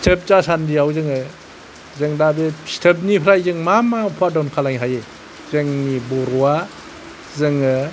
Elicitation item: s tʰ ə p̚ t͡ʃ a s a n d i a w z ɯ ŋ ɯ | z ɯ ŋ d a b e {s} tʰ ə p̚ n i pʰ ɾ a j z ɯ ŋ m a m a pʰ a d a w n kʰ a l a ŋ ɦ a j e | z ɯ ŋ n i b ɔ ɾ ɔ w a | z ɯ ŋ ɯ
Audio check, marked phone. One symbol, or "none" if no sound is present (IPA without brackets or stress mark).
s